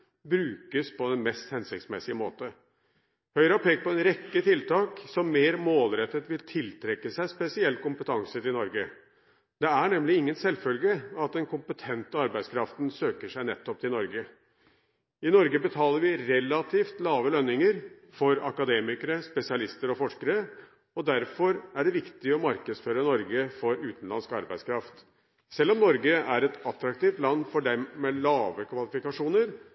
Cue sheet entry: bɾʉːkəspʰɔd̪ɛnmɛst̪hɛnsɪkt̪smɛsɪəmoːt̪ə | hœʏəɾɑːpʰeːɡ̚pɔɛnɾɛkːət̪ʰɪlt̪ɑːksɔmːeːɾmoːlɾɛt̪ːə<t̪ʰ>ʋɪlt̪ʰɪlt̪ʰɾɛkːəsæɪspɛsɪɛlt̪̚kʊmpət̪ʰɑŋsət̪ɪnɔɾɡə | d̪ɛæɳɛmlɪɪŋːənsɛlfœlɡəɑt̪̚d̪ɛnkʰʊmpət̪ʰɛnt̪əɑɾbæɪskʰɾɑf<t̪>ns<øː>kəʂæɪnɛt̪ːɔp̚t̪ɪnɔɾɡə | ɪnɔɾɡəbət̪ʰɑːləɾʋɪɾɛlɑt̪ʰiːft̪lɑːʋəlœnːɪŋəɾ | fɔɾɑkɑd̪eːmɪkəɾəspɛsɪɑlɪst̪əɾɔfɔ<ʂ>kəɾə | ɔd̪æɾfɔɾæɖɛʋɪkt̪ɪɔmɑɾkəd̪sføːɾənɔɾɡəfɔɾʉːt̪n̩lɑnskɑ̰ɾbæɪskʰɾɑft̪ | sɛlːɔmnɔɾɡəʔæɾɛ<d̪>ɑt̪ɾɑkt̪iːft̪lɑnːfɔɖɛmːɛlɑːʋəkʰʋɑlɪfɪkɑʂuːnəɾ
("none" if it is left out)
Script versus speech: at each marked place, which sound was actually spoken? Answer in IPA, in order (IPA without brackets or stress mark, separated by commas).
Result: t̪, t̪, øː, ʂ, t̪